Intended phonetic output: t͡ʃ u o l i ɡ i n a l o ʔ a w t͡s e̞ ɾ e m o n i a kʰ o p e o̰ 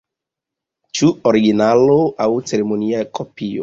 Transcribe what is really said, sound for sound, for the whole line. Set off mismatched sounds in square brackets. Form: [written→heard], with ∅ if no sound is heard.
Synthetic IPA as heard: t͡ʃ u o [l→ɾ] i ɡ i n a l o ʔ a w t͡s e̞ ɾ e m o n i a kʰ o p [e→i] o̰